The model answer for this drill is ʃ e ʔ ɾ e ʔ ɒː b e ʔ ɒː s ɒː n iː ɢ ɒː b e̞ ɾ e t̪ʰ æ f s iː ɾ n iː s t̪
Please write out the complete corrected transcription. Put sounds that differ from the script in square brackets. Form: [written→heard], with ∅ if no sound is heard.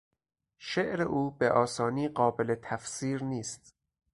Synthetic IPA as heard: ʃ e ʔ ɾ e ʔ [ɒː→uː] b e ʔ ɒː s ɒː n iː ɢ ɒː b e̞ [ɾ→l] e t̪ʰ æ f s iː ɾ n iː s t̪